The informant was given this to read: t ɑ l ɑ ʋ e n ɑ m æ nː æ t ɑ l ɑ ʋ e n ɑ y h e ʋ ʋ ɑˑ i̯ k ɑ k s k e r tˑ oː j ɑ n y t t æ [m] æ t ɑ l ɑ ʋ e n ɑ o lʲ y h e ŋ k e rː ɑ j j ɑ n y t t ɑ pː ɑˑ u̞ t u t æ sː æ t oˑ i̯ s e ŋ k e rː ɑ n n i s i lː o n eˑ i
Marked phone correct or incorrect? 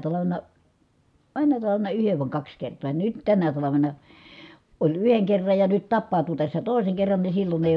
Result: incorrect: n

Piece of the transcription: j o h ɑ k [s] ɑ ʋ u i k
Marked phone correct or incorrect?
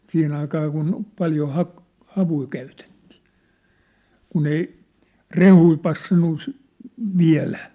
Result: incorrect: h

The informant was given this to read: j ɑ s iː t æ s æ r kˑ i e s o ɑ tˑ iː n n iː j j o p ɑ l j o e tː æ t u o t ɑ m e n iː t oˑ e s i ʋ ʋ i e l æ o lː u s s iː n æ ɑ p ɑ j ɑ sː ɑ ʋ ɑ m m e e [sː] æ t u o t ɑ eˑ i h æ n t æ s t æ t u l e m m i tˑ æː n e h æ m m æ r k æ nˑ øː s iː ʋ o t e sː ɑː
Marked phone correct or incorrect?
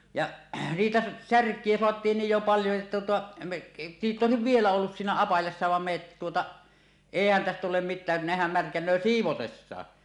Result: incorrect: tː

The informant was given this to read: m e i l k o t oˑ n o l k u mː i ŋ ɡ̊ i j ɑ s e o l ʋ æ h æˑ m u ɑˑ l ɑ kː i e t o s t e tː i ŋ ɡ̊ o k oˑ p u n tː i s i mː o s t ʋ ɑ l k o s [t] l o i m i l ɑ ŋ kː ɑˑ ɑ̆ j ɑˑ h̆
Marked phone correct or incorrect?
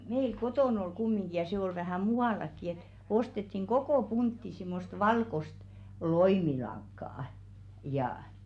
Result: correct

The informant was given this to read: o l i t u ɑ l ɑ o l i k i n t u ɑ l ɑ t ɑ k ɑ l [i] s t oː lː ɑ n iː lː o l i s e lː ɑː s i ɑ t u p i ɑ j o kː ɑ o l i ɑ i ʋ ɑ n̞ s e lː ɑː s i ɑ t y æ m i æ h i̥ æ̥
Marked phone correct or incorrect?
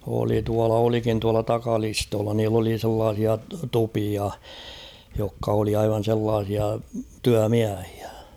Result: correct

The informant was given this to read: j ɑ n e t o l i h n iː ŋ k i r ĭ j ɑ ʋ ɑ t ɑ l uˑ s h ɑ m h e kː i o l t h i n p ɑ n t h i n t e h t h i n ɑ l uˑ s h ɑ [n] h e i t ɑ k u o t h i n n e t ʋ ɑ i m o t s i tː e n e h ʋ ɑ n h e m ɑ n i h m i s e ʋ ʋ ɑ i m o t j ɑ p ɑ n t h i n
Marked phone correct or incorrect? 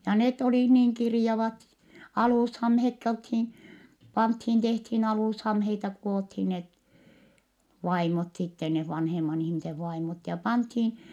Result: incorrect: m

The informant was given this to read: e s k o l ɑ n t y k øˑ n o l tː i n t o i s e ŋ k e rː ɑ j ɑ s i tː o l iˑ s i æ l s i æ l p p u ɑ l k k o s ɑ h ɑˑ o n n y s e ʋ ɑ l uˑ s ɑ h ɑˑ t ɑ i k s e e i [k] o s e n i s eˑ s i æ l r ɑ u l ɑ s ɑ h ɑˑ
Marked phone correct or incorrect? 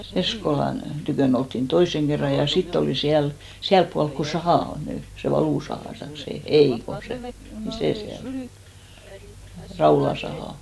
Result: correct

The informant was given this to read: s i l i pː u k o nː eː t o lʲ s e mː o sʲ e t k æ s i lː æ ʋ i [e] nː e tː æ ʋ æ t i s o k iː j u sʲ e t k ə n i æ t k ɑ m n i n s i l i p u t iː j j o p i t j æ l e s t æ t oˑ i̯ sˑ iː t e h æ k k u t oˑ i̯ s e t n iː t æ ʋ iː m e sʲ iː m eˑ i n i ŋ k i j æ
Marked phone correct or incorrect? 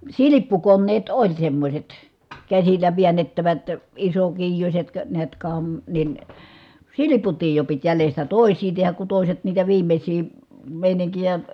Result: incorrect: æ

